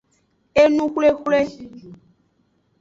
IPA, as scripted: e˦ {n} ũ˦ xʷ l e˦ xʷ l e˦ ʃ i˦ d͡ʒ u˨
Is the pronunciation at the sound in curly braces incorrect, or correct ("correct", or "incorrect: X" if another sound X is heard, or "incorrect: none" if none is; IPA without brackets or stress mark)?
correct